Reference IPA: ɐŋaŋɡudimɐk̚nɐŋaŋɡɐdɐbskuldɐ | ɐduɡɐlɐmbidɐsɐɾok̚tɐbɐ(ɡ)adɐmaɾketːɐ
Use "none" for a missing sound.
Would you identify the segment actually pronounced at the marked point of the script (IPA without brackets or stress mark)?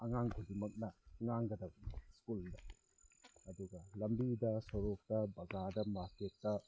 ɡ